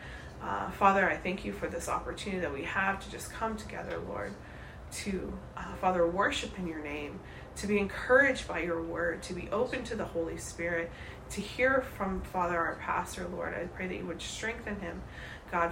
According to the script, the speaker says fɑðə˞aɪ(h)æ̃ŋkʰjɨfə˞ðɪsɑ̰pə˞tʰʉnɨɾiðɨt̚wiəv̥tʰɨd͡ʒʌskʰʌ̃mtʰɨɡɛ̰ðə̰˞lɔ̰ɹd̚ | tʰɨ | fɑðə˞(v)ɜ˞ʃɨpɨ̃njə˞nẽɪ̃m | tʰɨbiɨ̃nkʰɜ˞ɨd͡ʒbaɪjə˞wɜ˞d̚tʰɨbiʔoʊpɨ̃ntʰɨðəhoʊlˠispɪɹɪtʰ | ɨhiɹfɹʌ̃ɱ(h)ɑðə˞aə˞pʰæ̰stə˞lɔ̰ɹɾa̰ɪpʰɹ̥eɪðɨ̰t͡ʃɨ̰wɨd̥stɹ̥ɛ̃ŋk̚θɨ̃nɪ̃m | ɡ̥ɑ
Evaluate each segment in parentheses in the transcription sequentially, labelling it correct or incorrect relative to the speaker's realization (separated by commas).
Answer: incorrect, incorrect, incorrect